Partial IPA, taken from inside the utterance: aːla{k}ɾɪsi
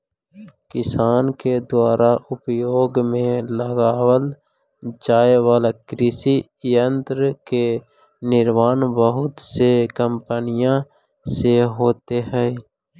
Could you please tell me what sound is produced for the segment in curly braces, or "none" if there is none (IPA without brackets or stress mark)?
k